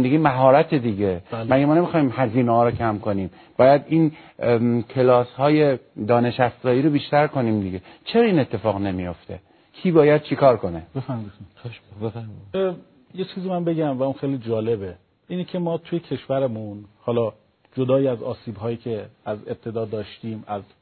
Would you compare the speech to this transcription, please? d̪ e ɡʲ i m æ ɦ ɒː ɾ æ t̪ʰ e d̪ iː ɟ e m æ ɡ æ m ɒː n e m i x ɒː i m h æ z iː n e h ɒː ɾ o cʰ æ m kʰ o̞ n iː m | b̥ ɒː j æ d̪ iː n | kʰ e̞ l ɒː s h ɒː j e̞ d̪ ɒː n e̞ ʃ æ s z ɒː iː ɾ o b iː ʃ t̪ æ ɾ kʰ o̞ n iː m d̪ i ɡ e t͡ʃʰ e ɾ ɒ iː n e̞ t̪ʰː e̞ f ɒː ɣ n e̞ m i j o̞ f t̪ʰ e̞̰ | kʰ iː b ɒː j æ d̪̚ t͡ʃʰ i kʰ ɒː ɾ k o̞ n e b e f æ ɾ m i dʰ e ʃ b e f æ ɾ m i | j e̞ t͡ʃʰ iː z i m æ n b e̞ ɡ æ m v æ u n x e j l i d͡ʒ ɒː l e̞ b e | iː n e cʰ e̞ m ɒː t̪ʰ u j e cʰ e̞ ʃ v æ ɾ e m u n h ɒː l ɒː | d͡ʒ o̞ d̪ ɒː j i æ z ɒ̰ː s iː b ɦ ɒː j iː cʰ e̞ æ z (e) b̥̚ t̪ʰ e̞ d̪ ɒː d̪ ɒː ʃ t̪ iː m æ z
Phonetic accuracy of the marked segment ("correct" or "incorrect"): correct